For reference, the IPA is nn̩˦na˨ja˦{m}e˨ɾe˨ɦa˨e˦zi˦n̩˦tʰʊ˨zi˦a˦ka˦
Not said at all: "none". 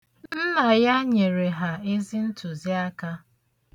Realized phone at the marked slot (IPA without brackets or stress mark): ɲ